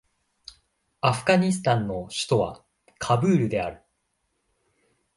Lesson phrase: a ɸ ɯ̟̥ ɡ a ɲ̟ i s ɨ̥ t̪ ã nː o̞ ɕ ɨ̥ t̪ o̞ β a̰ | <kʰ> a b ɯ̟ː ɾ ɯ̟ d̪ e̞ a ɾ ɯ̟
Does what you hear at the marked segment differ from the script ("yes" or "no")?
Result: no